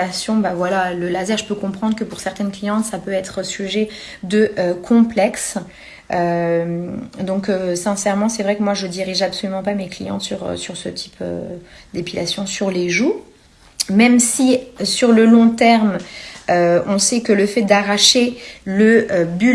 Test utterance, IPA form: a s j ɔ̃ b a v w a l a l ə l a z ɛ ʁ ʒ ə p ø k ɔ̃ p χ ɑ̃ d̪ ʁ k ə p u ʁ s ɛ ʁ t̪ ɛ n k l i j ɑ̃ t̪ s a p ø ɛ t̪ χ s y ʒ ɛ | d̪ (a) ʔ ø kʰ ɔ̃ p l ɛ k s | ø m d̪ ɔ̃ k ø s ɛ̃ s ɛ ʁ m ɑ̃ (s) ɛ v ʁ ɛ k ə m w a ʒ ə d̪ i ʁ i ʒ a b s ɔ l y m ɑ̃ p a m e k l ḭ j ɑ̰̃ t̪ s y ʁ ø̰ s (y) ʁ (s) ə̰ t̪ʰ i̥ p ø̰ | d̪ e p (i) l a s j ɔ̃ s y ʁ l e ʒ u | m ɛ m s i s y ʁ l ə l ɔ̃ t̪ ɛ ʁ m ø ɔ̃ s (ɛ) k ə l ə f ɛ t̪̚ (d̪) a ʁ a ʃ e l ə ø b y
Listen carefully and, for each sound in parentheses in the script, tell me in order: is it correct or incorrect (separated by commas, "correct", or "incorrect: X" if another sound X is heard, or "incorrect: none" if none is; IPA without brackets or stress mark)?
incorrect: ə, correct, correct, correct, correct, correct, correct